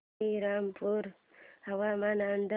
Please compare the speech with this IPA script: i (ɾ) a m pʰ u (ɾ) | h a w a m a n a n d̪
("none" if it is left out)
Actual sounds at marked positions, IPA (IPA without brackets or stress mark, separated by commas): ɾ, ɾ